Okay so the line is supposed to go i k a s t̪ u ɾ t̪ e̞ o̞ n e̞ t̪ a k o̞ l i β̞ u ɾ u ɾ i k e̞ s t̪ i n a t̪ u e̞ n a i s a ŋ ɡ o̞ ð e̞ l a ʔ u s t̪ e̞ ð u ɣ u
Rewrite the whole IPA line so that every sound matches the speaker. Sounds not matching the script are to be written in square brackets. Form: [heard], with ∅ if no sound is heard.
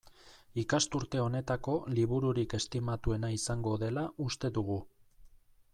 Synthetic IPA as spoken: i k a s t̪ u ɾ t̪ e̞ o̞ n e̞ t̪ a k o̞ l i β̞ u ɾ u ɾ i k e̞ s t̪ i [m] a t̪ u e̞ n a i s a ŋ ɡ o̞ ð e̞ l a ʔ u s t̪ e̞ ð u ɣ u